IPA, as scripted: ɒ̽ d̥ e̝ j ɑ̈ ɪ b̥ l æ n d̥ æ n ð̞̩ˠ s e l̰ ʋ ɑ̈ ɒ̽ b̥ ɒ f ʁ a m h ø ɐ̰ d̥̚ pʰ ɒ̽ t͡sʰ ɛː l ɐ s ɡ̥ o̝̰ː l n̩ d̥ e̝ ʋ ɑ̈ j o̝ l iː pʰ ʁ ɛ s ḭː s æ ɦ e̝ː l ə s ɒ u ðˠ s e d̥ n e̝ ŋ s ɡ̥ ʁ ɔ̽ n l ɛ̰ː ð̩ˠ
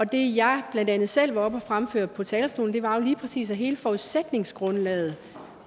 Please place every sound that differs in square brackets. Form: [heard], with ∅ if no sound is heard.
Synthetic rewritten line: ɒ̽ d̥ e̝ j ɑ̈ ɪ b̥ l æ n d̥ æ n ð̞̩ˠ s e l̰ ʋ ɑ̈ ɒ̽ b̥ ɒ f ʁ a m [f] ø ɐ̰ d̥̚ pʰ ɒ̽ t͡sʰ ɛː l ɐ s [d̥] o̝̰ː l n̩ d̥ e̝ ʋ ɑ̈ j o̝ l iː pʰ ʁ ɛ s ḭː s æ ɦ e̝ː l ə [f] ɒ u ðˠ s e d̥ n e̝ ŋ s ɡ̥ ʁ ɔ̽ n l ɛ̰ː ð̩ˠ